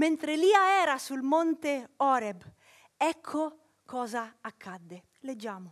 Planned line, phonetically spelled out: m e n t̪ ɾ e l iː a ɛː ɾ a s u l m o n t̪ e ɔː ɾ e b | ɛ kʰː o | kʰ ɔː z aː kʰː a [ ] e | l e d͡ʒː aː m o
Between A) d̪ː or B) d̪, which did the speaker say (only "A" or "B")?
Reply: A